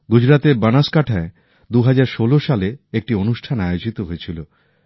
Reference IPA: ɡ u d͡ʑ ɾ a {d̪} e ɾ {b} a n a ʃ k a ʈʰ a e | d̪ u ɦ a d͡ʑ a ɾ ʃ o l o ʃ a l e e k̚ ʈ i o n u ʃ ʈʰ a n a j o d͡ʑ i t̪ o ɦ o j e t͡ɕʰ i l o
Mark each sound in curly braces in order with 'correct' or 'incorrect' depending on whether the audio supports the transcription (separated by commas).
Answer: incorrect, correct